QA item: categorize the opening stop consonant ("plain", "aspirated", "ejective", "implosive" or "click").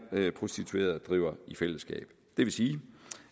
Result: aspirated